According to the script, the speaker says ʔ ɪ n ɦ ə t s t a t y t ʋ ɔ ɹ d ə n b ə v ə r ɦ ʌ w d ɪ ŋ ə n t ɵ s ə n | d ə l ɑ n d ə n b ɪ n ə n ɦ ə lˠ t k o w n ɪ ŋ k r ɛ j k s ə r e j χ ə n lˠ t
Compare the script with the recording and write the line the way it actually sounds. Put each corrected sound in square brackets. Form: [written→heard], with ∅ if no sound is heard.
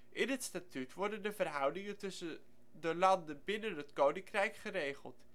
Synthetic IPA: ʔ ɪ n ɦ ə t s t a t y t ʋ ɔ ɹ d ə n [b→d] ə v ə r ɦ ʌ w d ɪ ŋ ə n t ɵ s ə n | d ə l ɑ n d ə n b ɪ n ə n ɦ ə [lˠ→∅] t k o w n ɪ ŋ k r ɛ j k [s→χ] ə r e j χ ə [n→∅] lˠ t